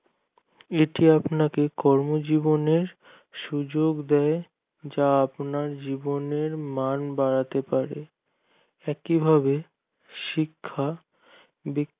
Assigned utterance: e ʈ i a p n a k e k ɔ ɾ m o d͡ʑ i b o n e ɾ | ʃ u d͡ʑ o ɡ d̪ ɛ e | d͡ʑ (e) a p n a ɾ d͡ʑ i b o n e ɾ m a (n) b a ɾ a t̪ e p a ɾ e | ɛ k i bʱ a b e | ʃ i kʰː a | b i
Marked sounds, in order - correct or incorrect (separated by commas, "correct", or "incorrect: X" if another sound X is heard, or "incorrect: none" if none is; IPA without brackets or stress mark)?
incorrect: a, correct